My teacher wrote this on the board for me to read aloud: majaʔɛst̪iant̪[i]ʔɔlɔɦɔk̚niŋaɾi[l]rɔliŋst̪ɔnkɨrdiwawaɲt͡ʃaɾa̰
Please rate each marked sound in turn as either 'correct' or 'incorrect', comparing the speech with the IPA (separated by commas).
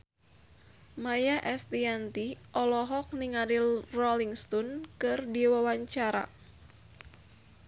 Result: correct, correct